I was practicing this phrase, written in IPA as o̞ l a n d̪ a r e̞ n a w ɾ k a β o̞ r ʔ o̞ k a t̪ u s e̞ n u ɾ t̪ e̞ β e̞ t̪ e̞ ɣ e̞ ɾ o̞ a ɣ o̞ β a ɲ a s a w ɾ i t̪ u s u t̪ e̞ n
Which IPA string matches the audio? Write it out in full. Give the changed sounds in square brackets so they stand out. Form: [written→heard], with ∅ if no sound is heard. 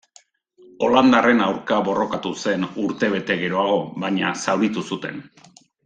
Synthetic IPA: o̞ l a n d̪ a r e̞ n a w ɾ k a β o̞ r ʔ o̞ k a t̪ u s e̞ n u ɾ t̪ e̞ β e̞ t̪ e̞ ɣ e̞ ɾ o̞ a ɣ o̞ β a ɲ a s a w ɾ i t̪ u s u t̪ e̞ n